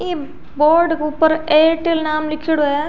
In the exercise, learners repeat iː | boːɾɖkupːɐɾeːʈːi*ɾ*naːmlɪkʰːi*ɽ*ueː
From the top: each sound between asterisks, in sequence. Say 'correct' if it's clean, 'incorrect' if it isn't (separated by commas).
incorrect, correct